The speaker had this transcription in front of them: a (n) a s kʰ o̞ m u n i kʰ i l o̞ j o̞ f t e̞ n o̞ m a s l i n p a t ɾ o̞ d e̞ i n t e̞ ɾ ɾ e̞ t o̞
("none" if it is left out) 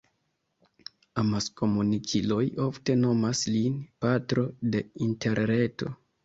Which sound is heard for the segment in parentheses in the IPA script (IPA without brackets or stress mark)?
m